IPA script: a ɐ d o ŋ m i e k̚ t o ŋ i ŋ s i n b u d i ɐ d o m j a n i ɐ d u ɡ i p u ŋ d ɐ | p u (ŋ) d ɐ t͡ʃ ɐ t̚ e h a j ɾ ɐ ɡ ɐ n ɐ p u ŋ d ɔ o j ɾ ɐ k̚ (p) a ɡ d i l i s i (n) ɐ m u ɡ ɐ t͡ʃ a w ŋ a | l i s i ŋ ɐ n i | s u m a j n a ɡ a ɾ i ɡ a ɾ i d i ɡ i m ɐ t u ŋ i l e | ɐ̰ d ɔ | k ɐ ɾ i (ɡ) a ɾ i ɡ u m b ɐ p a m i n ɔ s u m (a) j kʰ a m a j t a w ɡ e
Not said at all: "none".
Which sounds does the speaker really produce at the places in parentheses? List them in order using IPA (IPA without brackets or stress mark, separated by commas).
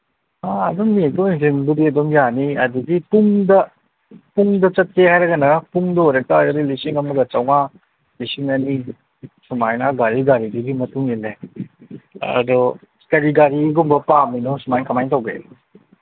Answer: ŋ, t, ŋ, ɡ, a